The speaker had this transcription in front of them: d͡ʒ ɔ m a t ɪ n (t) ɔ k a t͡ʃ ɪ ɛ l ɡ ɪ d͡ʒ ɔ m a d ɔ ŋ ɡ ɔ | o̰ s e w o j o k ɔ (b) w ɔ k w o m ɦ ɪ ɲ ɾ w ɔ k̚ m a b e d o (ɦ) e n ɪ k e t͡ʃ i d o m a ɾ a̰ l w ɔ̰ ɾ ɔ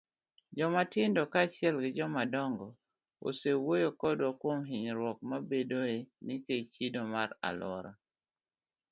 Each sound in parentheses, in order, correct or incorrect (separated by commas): incorrect, incorrect, incorrect